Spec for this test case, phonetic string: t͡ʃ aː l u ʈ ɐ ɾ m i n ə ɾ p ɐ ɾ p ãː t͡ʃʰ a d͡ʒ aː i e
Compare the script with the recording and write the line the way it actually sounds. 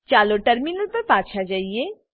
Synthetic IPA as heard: t͡ʃ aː l o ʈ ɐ ɾ m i n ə l p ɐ ɾ p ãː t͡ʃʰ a d͡ʒ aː i e